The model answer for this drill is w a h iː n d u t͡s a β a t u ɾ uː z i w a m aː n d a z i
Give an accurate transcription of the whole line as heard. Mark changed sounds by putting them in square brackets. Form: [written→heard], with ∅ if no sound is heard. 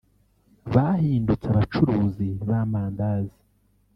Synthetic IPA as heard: [w→β] a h iː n d u t͡s a β a [t→t͡ʃ] u ɾ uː z i [w→β] a m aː n d a z i